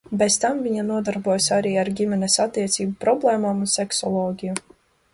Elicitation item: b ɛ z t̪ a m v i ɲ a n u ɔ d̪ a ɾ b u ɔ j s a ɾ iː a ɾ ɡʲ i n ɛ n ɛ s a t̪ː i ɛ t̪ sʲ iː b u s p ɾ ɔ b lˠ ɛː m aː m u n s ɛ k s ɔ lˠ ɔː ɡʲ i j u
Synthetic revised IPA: b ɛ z t̪ a m v i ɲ a n u ɔ d̪ a ɾ b u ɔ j s a ɾ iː a ɾ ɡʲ i m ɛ n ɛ s a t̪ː i ɛ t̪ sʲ iː b u p ɾ ɔ b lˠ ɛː m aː m u n s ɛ k s ɔ lˠ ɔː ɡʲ i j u